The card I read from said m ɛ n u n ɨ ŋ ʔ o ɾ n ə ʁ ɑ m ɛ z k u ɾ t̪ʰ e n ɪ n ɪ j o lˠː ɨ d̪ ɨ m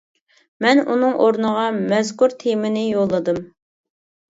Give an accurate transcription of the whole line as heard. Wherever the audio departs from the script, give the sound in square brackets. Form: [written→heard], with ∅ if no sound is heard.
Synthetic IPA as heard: m ɛ n u n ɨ ŋ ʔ o ɾ n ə ʁ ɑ m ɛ z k u ɾ t̪ʰ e [n→m] ɪ n ɪ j o lˠː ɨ d̪ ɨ m